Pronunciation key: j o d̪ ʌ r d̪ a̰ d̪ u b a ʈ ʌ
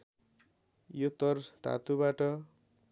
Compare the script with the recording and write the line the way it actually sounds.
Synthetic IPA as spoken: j o t̪ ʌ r t̪ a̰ t̪ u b a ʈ ʌ